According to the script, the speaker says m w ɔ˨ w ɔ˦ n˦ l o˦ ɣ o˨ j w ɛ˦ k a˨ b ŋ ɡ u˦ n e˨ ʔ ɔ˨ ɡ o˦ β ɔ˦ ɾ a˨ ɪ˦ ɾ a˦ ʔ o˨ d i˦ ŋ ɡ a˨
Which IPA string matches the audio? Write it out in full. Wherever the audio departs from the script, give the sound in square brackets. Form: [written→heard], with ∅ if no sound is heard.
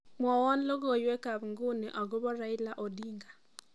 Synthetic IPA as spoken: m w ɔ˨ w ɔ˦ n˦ l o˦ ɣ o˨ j w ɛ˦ k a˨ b ŋ ɡ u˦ n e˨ ʔ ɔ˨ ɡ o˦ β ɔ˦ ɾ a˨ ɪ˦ [ɾ→l] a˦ ʔ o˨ d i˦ ŋ ɡ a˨

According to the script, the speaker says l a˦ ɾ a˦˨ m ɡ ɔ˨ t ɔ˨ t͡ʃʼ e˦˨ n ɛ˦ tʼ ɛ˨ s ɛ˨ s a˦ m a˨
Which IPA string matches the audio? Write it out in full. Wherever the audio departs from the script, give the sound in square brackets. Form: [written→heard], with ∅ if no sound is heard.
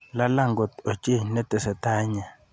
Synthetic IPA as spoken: l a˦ [ɾ→l] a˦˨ [m→ŋ] ɡ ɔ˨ t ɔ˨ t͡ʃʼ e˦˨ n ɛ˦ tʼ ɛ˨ s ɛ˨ [s→t] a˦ [m→ɲ] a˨

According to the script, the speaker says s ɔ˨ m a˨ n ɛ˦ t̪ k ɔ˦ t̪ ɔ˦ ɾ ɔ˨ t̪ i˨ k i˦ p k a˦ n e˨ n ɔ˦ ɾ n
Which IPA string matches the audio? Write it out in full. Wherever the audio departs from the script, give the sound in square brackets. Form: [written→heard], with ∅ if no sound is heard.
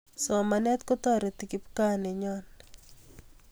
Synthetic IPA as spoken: s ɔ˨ m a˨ n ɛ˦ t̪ k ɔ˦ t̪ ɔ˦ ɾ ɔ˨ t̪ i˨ k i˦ p k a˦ n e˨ [n→ɲ] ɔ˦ [ɾ→∅] n

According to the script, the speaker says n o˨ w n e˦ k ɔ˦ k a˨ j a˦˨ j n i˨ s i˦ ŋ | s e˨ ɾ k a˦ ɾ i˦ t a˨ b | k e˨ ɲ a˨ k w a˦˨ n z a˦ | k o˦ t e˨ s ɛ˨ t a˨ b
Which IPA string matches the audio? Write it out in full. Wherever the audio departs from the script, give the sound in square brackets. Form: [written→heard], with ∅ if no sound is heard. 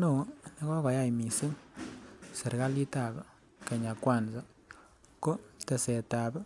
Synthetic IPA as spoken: n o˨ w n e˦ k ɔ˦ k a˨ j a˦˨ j [n→m] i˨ s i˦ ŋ | s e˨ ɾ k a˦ [ɾ→l] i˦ t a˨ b | k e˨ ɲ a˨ k w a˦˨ n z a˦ | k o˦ t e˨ s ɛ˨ t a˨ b

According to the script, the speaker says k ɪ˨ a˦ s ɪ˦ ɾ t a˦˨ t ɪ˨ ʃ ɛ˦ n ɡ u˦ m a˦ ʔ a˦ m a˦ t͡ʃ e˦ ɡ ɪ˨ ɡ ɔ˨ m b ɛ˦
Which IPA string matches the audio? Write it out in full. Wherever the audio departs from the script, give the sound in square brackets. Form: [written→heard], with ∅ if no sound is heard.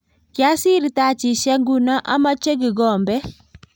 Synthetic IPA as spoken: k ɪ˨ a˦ s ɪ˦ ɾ t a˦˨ [t→t͡ʃ] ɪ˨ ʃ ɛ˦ [n→ŋ] ɡ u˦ [m→n] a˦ ʔ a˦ m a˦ t͡ʃ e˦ ɡ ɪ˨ ɡ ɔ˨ m b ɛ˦

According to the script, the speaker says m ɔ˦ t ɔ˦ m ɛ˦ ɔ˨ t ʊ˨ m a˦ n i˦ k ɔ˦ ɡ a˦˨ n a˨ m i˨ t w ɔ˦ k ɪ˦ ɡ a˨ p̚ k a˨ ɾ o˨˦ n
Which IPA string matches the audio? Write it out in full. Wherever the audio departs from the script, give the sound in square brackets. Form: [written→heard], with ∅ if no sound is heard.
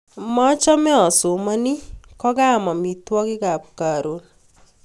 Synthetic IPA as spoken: m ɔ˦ [t→t͡ʃ] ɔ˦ m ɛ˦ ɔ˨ [t→s] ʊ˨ m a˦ n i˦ k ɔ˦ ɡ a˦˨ [n→m] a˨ m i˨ t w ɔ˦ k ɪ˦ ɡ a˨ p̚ k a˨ ɾ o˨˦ n

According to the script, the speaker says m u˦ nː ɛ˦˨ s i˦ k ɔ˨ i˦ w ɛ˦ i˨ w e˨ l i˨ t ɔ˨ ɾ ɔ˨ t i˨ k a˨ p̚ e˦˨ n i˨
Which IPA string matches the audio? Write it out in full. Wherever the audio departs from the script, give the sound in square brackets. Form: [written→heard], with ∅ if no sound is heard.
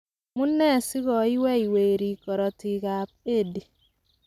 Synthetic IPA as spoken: m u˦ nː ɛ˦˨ s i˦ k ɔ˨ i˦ w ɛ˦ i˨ w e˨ [l→ɾ] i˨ [t→k] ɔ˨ ɾ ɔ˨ t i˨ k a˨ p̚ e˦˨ [n→d] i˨

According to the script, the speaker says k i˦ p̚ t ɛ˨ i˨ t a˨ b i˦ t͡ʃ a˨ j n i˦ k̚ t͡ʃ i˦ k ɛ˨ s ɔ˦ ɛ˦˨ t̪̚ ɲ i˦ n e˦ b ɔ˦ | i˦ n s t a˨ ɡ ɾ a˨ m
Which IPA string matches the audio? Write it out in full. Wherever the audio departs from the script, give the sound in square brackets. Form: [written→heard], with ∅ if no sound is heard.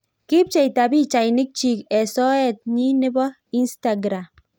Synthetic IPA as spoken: k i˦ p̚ [t→t͡ʃ] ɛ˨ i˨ t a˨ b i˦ t͡ʃ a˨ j n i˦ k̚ t͡ʃ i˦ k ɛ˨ s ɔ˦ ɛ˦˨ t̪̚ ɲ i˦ n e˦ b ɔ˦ | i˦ n s t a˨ ɡ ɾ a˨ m

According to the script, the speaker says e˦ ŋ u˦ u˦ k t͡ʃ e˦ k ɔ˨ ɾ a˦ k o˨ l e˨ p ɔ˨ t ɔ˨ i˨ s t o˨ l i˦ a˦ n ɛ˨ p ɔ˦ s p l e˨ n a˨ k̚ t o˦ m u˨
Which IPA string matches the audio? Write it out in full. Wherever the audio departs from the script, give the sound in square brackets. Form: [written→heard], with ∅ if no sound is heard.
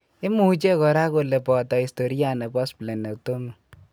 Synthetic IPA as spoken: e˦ [ŋ→m] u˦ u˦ [k→∅] t͡ʃ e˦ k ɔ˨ ɾ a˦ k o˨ l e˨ p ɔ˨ t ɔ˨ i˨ s t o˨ [l→ɾ] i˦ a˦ n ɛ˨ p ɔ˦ s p l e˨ n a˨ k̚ t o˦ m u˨

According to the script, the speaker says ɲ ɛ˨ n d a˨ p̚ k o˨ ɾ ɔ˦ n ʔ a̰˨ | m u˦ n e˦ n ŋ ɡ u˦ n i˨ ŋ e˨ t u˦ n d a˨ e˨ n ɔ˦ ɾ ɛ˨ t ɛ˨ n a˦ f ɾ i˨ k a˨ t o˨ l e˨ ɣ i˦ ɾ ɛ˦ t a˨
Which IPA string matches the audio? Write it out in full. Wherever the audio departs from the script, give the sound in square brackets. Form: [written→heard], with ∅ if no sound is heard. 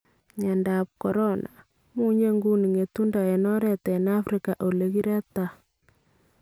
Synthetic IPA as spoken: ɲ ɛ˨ n d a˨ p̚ k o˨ ɾ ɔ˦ n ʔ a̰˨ | m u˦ [n→ɲ] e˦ [n→∅] ŋ ɡ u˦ n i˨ ŋ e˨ t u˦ n d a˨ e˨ n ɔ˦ ɾ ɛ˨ t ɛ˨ n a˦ f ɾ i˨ k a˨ [t→ʔ] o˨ l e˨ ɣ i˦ ɾ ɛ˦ t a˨

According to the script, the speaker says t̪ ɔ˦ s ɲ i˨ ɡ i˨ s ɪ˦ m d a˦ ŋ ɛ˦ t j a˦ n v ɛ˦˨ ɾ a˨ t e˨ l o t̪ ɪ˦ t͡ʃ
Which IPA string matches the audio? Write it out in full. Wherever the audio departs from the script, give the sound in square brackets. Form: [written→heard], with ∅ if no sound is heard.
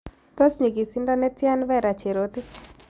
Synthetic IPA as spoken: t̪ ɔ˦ s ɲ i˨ ɡ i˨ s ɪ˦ [m→n] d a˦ [ŋ→n] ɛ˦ t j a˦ n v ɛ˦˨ ɾ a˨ [t→t͡ʃ] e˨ [l→ɾ] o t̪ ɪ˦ t͡ʃ

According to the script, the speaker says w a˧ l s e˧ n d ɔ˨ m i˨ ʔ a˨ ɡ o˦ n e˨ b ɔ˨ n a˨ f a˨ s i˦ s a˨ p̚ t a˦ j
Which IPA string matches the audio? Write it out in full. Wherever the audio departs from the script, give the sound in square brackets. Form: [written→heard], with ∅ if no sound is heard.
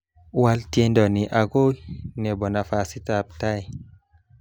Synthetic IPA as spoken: w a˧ l [s→t] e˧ n d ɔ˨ [m→n] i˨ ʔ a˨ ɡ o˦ n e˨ b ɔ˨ n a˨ f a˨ s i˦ [s→t] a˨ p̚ t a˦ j

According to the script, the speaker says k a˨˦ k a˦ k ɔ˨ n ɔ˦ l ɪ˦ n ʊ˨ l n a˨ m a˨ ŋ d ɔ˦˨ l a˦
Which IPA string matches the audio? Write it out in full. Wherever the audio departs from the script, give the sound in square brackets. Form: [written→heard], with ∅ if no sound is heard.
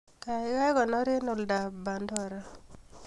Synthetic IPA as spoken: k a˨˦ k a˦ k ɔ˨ n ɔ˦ [l→ɾ] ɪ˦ n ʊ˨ l [n→d] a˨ [m→b] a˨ [ŋ→n] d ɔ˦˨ [l→ɾ] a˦

